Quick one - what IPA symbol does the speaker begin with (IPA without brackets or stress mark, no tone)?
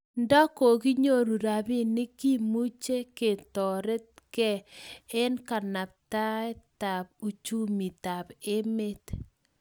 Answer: n